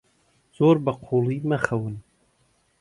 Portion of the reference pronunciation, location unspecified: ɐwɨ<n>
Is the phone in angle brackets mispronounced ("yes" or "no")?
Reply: no